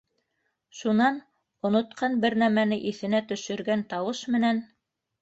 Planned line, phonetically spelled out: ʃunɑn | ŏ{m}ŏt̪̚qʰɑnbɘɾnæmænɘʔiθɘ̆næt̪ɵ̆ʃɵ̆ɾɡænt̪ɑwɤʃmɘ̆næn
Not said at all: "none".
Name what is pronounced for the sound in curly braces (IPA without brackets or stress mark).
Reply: n